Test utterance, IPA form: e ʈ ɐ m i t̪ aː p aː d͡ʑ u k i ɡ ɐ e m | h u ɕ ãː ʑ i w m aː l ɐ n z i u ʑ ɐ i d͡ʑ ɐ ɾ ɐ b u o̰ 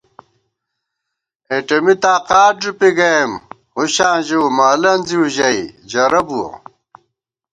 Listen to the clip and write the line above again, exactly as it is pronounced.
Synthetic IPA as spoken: e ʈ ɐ m i t̪ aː q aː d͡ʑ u p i ɡ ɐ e m | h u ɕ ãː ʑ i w m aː l ɐ n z i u ʑ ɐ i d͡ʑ ɐ ɾ ɐ b u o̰